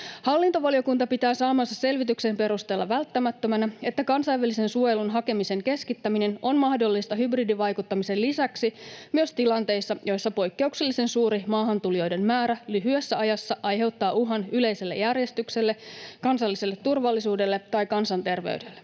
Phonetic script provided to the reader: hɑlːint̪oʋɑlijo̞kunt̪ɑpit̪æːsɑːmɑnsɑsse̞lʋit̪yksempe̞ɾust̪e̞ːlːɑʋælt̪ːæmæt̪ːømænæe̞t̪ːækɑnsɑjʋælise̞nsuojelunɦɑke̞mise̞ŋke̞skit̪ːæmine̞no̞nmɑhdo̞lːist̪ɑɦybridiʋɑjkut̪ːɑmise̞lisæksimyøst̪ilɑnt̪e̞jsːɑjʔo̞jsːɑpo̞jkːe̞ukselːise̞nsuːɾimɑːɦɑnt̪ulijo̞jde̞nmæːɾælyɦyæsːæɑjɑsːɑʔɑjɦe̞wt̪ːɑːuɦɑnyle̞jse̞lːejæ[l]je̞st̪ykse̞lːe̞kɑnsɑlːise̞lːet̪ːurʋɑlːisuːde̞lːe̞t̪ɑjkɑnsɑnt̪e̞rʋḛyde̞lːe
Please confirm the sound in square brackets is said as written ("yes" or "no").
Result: no